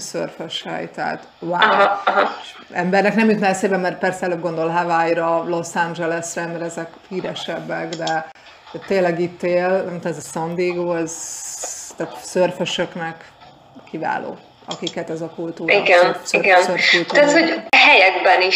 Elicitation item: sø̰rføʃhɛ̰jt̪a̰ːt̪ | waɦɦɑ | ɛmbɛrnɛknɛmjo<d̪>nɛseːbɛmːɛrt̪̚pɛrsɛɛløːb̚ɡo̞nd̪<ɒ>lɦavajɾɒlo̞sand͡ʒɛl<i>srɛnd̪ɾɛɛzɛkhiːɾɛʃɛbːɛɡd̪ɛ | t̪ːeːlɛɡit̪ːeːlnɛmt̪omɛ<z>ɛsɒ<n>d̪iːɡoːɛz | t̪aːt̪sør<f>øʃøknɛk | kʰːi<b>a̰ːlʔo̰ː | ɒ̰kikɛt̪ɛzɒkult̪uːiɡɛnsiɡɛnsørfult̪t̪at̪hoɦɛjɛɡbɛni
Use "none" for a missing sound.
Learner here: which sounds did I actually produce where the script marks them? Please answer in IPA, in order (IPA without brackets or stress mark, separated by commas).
t̪, o, ɛ, z, n, f, v